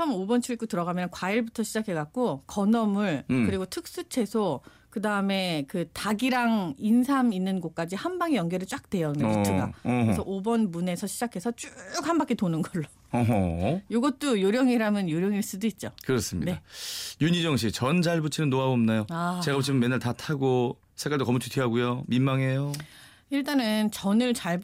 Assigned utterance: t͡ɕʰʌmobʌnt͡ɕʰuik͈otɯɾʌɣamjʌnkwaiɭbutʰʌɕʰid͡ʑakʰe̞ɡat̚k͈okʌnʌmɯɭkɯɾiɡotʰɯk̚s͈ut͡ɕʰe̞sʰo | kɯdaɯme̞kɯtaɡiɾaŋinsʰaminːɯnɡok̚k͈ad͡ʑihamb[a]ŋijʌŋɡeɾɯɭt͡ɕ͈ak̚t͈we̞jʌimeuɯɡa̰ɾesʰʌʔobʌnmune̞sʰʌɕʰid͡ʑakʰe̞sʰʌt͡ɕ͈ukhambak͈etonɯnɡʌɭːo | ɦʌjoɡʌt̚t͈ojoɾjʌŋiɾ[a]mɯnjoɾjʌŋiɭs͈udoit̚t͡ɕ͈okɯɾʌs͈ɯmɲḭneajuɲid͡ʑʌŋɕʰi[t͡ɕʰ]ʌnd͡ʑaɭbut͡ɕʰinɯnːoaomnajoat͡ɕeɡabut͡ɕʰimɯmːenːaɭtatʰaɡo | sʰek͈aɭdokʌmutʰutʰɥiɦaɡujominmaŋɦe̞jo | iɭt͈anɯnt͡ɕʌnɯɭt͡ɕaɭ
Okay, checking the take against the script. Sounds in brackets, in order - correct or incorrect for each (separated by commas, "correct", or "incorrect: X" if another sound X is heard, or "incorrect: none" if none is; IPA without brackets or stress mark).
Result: correct, correct, incorrect: t͡ɕ